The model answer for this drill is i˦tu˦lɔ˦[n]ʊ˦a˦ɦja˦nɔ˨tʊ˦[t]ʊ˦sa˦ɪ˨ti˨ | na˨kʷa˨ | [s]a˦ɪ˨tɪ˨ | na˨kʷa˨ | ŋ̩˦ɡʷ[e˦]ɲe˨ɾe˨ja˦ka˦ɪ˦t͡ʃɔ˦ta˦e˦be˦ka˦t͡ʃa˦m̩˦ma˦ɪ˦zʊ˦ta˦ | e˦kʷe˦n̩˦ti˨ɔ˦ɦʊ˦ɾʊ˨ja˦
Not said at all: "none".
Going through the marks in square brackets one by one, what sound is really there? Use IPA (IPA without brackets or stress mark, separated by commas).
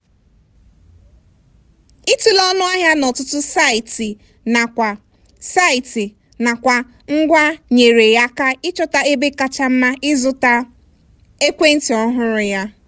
n, t, s, a˦